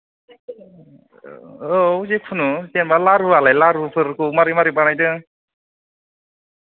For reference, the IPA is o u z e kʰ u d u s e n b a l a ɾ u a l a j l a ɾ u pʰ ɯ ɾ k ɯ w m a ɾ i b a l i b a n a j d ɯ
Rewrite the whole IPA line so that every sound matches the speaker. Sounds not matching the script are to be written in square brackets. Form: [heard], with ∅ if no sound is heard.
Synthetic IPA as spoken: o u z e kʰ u [n] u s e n b a l a ɾ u a l a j l a ɾ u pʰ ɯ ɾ k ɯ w m a ɾ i [m] a [ɾ] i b a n a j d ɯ